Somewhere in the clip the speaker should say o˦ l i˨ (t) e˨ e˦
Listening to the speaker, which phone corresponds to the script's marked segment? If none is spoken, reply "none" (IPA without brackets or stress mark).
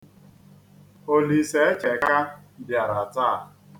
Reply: s